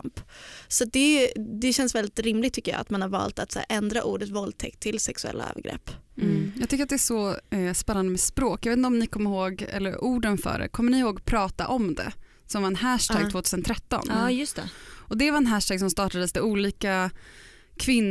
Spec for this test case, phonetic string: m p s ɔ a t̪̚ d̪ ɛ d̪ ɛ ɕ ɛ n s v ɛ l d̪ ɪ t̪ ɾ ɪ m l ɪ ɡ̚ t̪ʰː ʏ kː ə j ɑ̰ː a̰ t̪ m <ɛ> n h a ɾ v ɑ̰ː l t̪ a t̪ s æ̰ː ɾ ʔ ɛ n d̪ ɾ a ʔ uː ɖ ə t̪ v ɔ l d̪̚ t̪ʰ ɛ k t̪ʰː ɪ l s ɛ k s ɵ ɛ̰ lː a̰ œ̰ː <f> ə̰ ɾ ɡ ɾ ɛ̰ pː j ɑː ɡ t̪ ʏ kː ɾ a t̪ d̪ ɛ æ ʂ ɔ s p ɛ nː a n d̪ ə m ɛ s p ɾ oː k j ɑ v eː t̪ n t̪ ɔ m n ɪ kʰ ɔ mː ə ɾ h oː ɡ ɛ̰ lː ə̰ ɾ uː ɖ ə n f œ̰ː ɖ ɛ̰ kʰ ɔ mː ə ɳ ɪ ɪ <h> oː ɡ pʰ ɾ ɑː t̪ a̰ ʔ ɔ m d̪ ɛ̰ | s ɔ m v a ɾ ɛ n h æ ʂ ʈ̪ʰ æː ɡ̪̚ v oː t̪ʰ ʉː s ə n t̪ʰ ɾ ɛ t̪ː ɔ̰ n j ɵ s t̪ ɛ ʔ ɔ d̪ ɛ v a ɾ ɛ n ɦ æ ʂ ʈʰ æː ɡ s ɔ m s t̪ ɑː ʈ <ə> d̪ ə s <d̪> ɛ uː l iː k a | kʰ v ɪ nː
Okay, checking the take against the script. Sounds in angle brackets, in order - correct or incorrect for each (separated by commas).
incorrect, incorrect, correct, incorrect, correct